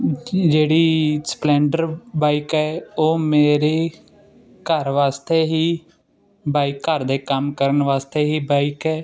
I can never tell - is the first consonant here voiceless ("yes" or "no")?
no